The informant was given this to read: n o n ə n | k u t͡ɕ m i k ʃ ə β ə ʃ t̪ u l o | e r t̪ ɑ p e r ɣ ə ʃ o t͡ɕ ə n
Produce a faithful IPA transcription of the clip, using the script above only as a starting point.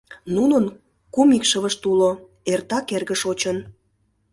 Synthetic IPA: n u n ə n | k u m i k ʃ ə β ə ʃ t̪ u l o | e r t̪ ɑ k e r ɣ ə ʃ o t͡ɕ ə n